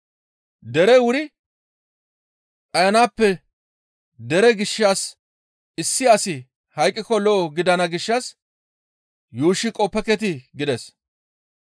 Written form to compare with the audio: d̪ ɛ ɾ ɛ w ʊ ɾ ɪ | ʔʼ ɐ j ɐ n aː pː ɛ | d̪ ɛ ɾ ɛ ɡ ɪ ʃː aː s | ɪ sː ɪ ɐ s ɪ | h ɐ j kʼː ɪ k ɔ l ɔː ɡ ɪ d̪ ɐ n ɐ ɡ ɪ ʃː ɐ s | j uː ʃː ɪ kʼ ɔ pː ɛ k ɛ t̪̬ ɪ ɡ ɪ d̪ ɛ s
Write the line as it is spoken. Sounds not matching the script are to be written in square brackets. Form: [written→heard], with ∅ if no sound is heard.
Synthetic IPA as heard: d̪ ɛ ɾ ɛ w ʊ ɾ ɪ | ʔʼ ɐ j ɐ n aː pː ɛ | d̪ ɛ ɾ ɛ ɡ ɪ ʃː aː s | ɪ sː ɪ ɐ s ɪ | h ɐ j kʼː ɪ k ɔ l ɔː ɡ ɪ d̪ ɐ n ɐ ɡ ɪ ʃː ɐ s | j uː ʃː ɪ kʼ ɔ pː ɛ k ɛ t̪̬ ɪ ɡ ɪ d̪ ɛ s